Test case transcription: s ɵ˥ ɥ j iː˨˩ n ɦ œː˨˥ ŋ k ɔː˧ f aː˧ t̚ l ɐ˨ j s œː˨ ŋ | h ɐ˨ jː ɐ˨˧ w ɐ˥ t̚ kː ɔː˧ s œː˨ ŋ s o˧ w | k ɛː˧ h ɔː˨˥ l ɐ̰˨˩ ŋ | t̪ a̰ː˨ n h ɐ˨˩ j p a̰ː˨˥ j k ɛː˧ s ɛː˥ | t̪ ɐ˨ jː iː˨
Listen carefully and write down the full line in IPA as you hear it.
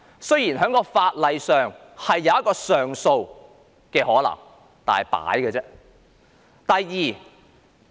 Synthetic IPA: s ɵ˥ ɥ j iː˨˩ n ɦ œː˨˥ ŋ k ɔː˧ f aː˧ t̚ l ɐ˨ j s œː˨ ŋ | h ɐ˨ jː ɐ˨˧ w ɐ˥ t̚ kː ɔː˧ s œː˨ ŋ s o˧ w | k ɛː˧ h ɔː˨˥ l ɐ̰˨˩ ŋ | t̪ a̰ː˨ n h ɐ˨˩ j p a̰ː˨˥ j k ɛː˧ t͡s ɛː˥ | t̪ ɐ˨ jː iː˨